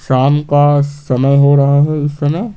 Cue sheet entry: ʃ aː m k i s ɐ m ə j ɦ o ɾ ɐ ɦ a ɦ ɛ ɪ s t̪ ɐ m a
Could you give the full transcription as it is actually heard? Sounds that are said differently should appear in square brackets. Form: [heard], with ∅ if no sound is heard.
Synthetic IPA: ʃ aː m k [a] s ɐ m ə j ɦ o ɾ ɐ ɦ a ɦ ɛ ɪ s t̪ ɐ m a

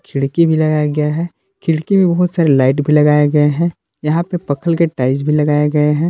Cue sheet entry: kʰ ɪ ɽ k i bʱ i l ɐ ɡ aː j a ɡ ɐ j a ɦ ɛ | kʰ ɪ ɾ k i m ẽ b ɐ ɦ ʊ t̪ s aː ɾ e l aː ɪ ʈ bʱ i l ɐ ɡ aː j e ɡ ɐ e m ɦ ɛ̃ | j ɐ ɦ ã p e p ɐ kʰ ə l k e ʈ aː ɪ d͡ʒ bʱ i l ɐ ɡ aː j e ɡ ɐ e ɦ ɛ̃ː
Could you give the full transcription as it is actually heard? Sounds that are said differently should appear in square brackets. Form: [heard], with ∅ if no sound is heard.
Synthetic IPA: kʰ ɪ ɽ k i bʱ i l ɐ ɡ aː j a ɡ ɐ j a ɦ ɛ | kʰ ɪ [ɽ] k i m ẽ b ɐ ɦ ʊ t̪ s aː ɾ e l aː ɪ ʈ bʱ i l ɐ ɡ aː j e ɡ ɐ e [∅] ɦ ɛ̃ | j ɐ ɦ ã p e p ɐ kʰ ə l k e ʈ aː ɪ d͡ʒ bʱ i l ɐ ɡ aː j e ɡ ɐ e ɦ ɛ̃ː

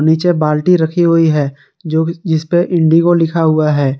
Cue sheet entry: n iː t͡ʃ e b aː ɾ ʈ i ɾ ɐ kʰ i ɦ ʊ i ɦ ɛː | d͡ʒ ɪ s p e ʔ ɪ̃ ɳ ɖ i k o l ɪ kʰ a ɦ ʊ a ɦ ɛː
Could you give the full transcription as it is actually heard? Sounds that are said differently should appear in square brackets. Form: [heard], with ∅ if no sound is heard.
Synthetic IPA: n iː t͡ʃ e b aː [l] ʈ i ɾ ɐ kʰ i ɦ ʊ i ɦ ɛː | d͡ʒ ɪ s p e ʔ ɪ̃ ɳ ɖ i k o l ɪ kʰ a ɦ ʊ a ɦ ɛː

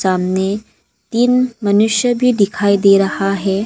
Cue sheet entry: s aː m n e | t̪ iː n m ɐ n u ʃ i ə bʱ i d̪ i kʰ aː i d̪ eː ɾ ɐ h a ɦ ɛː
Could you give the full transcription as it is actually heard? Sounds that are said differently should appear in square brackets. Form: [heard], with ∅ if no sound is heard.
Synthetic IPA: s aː m n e | t̪ iː n m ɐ n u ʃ [j] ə bʱ i d̪ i kʰ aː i d̪ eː ɾ ɐ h a ɦ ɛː

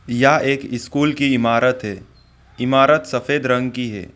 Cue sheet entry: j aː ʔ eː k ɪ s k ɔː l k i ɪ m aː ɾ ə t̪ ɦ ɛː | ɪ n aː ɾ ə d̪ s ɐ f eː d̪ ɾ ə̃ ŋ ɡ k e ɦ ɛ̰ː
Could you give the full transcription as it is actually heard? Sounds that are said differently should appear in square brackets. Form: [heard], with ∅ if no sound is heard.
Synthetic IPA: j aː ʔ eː k ɪ s k [uː] l k i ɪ m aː ɾ ə t̪ ɦ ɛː | ɪ [m] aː ɾ ə [t̪] s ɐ f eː d̪ ɾ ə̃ ŋ ɡ k [i] ɦ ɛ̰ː

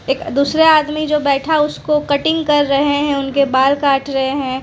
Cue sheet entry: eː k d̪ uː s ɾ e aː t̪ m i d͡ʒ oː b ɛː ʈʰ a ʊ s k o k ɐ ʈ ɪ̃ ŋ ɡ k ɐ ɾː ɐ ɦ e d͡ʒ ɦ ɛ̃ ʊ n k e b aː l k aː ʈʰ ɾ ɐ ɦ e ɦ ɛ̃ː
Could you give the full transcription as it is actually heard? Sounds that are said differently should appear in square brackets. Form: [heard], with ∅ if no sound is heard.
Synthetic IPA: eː k d̪ uː s ɾ e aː [d̪] m i d͡ʒ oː b ɛː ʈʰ a ʊ s k o k ɐ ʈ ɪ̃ ŋ ɡ k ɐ ɾː ɐ ɦ e [∅] ɦ ɛ̃ ʊ n k e b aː l k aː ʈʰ ɾ ɐ ɦ e ɦ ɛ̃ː

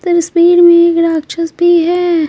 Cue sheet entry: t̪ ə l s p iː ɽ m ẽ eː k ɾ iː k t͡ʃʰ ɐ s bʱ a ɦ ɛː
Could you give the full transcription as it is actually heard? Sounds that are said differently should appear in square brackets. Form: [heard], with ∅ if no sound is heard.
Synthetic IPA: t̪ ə [ɾ] s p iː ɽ m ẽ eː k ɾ [aː] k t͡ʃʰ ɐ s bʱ [i] ɦ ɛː

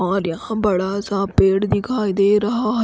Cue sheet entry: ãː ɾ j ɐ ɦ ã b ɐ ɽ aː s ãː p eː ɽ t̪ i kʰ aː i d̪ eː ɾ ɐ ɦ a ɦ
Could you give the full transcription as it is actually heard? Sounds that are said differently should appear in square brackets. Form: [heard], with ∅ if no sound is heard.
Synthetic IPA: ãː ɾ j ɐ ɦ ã b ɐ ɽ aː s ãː p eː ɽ [d̪] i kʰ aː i d̪ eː ɾ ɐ ɦ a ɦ

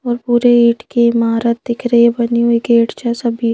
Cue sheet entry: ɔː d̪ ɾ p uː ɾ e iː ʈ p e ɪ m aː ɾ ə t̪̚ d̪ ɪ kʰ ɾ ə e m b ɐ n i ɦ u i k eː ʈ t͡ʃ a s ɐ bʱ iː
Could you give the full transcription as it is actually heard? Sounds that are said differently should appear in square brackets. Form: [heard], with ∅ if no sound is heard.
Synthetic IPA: ɔː [∅] ɾ p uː ɾ e iː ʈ [k] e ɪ m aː ɾ ə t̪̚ d̪ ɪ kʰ ɾ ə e [∅] b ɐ n i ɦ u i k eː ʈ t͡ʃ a s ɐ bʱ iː

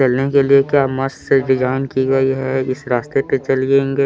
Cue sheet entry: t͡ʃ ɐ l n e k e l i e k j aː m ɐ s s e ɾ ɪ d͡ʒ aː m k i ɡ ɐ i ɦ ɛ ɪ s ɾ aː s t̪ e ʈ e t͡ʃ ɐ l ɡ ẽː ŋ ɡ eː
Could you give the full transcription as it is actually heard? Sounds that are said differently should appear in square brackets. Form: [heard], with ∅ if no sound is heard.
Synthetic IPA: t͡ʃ ɐ l n e k e l i e k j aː m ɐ s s e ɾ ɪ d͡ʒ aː [n] k i ɡ ɐ i ɦ ɛ ɪ s ɾ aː s t̪ e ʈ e t͡ʃ ɐ l ɡ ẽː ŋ ɡ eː

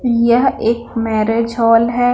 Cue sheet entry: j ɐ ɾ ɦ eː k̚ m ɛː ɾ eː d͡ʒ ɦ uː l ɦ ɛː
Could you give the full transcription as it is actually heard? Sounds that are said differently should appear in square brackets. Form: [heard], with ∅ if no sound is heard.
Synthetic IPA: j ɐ [∅] ɦ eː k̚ m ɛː ɾ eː d͡ʒ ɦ [ɔː] l ɦ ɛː

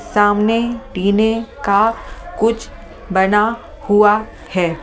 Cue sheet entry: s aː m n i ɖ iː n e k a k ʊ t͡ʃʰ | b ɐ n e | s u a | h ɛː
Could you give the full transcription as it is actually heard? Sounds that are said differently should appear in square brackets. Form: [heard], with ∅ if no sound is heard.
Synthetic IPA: s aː m n [e] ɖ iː n e k a k ʊ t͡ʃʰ | b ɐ n [a] | [h] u a | h ɛː

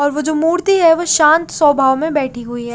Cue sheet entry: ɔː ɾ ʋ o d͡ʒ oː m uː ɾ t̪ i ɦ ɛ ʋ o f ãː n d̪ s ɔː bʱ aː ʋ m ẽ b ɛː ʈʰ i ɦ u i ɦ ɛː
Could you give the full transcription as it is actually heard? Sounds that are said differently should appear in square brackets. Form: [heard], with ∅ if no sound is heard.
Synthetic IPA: ɔː ɾ ʋ o d͡ʒ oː m uː ɾ t̪ i ɦ ɛ ʋ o [ʃ] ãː n [t̪] s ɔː bʱ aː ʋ m ẽ b ɛː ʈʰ i ɦ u i ɦ ɛː

